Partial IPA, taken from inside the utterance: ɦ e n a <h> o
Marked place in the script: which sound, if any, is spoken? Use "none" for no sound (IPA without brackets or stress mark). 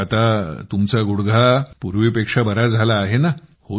h